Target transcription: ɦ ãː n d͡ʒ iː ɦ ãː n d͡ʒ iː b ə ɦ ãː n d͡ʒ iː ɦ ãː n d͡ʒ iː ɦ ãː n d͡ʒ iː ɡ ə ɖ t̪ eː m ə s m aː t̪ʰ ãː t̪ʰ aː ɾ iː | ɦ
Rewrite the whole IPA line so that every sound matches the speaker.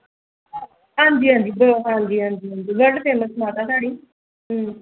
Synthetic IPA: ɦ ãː n d͡ʒ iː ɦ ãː n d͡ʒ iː b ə ɦ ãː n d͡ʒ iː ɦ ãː n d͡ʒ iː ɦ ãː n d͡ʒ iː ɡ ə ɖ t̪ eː m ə s m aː t̪ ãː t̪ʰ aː ɽ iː | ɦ